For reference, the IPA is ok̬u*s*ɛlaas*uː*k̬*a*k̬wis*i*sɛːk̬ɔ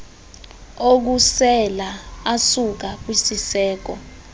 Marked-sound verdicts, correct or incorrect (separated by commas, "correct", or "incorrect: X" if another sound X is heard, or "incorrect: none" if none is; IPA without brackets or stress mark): correct, incorrect: u, correct, correct